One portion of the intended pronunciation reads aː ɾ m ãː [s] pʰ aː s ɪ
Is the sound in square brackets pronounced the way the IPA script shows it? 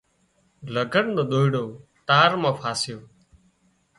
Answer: no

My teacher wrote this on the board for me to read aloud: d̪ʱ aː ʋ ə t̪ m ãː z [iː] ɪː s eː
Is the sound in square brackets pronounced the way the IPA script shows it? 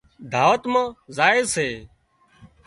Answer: no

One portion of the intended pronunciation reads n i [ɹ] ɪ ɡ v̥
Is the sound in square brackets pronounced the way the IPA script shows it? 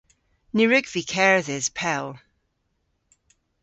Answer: yes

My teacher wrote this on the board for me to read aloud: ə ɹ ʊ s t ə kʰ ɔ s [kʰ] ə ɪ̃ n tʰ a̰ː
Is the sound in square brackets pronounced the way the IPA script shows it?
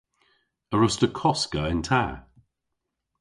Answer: no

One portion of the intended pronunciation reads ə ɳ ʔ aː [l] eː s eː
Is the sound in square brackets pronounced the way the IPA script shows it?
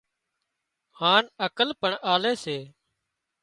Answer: yes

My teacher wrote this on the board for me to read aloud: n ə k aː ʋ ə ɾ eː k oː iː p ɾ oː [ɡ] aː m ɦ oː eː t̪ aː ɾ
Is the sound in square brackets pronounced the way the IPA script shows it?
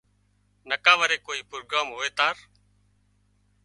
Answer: yes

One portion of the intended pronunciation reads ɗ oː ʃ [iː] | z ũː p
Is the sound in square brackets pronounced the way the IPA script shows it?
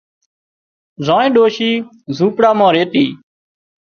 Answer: yes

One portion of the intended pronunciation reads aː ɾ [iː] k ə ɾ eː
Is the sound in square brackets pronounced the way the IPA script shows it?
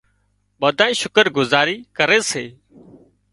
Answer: yes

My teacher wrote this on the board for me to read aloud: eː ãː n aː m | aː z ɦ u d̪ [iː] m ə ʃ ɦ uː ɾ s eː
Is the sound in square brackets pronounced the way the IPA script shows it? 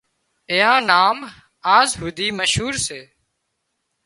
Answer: yes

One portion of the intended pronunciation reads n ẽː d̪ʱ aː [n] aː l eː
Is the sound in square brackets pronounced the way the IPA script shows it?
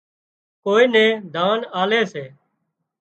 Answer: yes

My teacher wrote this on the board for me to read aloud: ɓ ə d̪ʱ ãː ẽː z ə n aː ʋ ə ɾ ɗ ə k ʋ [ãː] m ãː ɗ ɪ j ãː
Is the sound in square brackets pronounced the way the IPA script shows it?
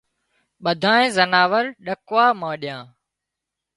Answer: no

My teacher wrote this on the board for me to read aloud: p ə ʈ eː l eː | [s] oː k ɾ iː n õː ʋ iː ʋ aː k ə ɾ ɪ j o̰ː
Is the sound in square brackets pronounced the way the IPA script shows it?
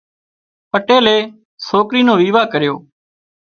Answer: yes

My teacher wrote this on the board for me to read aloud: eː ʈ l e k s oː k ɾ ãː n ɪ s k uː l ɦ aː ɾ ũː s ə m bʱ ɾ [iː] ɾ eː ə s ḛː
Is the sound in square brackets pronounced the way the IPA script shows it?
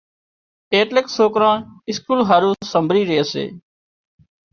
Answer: yes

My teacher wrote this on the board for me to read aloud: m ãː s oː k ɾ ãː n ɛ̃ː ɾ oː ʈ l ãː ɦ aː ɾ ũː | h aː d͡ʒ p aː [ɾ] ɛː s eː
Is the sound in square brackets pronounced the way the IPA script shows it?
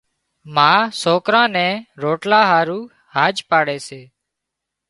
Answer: no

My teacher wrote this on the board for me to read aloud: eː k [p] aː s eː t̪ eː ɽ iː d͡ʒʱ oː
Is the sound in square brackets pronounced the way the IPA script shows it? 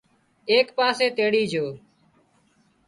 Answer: yes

